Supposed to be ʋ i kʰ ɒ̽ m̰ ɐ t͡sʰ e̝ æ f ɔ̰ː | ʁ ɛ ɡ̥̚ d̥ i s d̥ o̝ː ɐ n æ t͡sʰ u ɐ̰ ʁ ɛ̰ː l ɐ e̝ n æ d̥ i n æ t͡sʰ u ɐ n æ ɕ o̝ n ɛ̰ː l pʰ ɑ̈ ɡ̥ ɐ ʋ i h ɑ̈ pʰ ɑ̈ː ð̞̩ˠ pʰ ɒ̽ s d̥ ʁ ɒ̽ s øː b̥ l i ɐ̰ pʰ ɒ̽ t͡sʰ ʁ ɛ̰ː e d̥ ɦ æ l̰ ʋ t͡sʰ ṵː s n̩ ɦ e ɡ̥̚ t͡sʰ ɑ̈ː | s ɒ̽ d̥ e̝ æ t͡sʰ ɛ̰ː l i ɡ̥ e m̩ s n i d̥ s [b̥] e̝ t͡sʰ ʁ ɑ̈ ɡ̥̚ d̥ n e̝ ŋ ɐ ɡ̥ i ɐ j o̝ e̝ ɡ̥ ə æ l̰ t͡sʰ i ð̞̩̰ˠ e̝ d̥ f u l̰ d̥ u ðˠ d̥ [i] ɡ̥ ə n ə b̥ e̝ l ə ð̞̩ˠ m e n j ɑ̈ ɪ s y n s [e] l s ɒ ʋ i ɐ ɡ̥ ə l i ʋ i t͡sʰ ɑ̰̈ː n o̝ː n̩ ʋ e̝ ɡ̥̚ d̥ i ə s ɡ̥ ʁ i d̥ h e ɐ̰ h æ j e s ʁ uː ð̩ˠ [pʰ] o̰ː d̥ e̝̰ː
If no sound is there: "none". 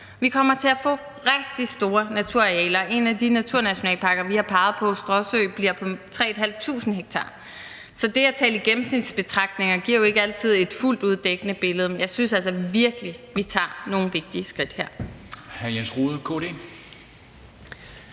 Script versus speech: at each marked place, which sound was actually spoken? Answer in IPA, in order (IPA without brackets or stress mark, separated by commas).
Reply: b̥, e, æ, kʰ